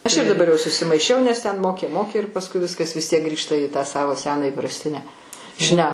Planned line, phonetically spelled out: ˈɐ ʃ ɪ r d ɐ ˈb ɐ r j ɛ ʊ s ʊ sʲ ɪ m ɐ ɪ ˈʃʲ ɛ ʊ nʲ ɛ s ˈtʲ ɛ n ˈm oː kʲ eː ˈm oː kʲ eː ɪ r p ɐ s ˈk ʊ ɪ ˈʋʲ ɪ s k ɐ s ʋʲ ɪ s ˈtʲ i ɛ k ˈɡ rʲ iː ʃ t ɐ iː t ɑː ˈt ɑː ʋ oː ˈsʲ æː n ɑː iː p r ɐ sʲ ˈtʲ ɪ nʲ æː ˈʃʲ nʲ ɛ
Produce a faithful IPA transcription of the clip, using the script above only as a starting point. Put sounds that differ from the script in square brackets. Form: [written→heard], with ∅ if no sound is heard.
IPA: ˈɐ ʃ ɪ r d ɐ ˈb ɐ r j ɛ ʊ s ʊ sʲ ɪ m ɐ ɪ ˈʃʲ ɛ ʊ nʲ ɛ s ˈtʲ ɛ n ˈm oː kʲ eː ˈm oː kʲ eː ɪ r p ɐ s ˈk ʊ ɪ ˈʋʲ ɪ s k ɐ s ʋʲ ɪ s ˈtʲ i ɛ k ˈɡ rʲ iː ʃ t ɐ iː t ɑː [ˈt→ˈs] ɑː ʋ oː ˈsʲ æː n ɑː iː p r ɐ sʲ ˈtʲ ɪ nʲ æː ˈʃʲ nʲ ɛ

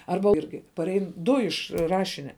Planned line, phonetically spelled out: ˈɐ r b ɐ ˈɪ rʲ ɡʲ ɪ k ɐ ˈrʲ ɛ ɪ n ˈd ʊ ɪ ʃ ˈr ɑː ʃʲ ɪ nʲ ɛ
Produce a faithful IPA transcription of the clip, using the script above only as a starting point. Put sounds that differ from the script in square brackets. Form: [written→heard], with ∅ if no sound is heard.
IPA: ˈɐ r b ɐ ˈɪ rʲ ɡʲ ɪ [k→p] ɐ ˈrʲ ɛ ɪ n ˈd ʊ ɪ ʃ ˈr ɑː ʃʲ ɪ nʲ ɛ

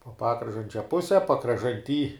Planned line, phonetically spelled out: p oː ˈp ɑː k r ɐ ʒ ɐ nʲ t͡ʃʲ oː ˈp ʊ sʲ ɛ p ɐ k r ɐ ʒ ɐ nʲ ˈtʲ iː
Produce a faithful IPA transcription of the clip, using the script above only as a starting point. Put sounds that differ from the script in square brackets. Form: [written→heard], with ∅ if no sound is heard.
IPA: p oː ˈp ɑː k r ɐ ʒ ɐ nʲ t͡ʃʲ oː ˈp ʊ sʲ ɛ p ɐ k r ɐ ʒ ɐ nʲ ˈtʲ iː

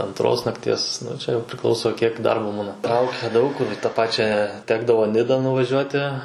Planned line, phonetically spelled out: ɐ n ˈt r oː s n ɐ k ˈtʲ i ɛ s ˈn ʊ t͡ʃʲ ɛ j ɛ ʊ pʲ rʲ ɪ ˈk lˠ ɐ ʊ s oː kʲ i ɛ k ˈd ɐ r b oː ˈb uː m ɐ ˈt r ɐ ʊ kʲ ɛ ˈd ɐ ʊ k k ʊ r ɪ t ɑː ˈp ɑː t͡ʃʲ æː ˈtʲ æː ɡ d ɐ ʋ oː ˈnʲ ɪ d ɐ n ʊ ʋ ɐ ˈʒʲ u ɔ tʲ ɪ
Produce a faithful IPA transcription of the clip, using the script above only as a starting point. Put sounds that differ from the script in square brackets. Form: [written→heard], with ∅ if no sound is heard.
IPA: ɐ n ˈt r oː s n ɐ k ˈtʲ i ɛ s ˈn ʊ t͡ʃʲ ɛ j ɛ ʊ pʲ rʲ ɪ ˈk lˠ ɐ ʊ s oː kʲ i ɛ k ˈd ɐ r b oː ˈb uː [m→n] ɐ ˈt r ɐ ʊ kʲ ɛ ˈd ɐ ʊ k k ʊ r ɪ t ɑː ˈp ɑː t͡ʃʲ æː ˈtʲ æː ɡ d ɐ ʋ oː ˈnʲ ɪ d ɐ n ʊ ʋ ɐ ˈʒʲ u ɔ tʲ ɪ

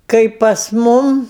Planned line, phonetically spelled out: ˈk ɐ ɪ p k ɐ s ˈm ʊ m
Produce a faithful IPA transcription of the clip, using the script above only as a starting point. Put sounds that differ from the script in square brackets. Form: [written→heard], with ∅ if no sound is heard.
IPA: ˈk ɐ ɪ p [k→p] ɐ s ˈm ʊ m

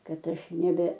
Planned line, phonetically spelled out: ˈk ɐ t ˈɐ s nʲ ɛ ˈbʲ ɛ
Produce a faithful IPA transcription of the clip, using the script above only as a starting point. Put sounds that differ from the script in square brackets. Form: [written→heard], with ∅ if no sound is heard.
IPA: ˈk ɐ t ˈɐ [s→ʃ] nʲ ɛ ˈbʲ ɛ

